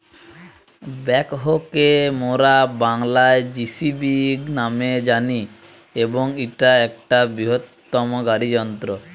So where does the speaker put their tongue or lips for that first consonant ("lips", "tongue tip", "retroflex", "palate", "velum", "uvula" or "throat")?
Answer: lips